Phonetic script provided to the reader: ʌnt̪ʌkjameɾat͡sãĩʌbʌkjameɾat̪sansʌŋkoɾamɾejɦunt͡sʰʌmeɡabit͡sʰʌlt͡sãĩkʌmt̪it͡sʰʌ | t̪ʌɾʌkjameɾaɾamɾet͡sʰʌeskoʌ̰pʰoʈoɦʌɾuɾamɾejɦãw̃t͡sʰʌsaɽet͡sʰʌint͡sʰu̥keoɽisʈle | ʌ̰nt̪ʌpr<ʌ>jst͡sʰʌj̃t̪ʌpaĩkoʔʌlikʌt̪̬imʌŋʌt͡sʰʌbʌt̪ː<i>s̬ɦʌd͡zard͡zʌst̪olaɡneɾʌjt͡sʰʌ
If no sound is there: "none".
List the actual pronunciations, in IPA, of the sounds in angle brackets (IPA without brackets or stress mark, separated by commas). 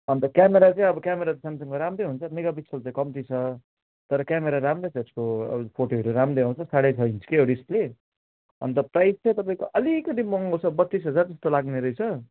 a, i